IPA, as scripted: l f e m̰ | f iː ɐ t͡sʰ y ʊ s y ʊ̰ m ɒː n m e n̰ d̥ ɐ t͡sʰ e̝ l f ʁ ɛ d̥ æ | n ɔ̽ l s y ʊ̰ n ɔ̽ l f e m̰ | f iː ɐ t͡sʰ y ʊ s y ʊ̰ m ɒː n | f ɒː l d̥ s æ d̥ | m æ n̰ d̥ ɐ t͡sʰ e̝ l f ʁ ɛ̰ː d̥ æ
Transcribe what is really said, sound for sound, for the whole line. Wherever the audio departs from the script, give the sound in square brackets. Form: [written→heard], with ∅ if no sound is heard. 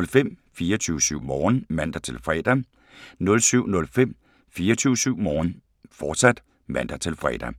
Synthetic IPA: l f e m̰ | f iː ɐ t͡sʰ y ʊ s y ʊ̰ m ɒː n m [e→æ] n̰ d̥ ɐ t͡sʰ e̝ l f ʁ ɛ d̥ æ | n ɔ̽ l s y ʊ̰ n ɔ̽ l f e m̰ | f iː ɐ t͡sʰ y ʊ s y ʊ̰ m ɒː n | f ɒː [l→∅] d̥ s æ d̥ | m æ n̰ d̥ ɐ t͡sʰ e̝ l f ʁ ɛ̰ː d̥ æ